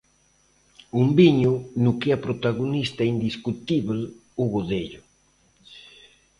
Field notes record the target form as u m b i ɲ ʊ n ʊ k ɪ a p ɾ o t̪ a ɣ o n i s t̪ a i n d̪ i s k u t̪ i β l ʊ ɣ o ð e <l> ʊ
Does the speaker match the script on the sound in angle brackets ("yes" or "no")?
no